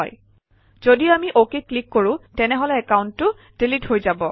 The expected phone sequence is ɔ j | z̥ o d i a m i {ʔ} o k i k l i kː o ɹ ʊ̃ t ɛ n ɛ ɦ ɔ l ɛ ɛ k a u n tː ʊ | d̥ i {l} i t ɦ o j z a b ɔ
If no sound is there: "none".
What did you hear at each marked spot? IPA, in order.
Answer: ʔ, l

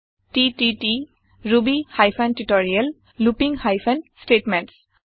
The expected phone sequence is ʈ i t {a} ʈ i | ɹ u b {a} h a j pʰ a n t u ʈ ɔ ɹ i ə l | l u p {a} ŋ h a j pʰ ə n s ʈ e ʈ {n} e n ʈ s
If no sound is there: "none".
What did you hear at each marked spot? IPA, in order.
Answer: i, i, i, m

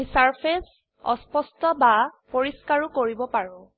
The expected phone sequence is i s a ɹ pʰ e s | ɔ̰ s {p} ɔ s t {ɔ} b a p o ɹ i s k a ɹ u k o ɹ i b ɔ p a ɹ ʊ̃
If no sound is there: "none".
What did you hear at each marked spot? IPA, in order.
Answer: p, ɔ

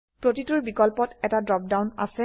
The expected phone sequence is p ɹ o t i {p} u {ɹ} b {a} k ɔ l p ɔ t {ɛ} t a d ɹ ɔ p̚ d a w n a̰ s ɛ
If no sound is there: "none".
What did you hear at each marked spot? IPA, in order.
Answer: t, ɹ, i, ɛ

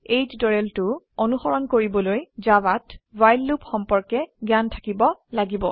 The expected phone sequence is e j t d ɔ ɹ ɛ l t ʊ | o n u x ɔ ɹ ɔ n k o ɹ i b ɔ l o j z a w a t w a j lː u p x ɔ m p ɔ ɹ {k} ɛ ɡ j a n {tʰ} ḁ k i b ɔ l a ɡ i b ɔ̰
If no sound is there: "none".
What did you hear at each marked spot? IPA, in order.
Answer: k, tʰ

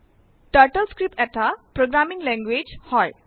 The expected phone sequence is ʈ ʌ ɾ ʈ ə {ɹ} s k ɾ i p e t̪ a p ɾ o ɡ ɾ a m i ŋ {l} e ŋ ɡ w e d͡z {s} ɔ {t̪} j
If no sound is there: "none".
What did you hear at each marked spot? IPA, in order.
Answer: l, l, h, none

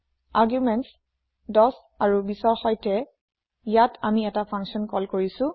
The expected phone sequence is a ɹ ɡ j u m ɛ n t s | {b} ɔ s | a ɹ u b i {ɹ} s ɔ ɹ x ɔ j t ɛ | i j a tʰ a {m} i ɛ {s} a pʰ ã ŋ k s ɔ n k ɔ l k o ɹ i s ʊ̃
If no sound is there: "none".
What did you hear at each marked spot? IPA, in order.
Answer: d, none, m, t

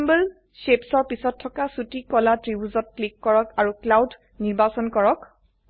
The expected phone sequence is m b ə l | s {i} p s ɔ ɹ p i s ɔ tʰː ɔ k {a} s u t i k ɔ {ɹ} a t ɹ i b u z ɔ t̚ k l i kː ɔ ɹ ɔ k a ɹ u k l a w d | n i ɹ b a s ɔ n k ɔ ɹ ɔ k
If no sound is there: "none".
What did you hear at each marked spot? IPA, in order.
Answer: e, a, l

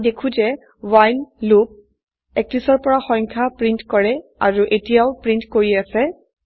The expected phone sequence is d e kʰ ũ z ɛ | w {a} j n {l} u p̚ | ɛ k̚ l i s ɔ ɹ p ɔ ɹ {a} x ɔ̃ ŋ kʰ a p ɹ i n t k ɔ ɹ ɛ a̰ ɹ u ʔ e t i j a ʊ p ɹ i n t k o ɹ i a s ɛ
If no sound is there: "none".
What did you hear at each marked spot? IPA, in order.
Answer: a, l, a

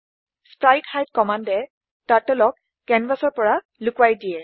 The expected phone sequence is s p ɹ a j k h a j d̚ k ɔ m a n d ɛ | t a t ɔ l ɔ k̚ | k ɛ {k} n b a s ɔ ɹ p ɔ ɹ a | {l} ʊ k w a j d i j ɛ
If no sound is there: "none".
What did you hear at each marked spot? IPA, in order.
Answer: none, l

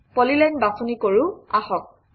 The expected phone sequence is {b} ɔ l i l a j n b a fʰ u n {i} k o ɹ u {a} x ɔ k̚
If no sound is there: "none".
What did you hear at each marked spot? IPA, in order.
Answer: p, i, a

